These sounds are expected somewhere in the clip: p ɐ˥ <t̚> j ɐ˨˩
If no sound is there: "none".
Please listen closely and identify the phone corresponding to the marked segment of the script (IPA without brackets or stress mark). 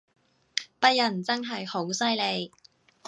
t̚